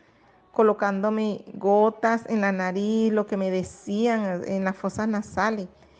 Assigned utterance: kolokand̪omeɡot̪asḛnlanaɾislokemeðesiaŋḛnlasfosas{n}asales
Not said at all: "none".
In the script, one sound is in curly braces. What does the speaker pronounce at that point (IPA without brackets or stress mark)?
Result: n